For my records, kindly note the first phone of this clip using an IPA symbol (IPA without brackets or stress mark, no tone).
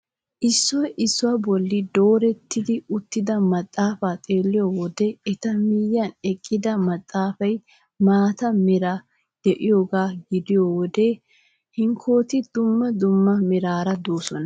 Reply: ʔ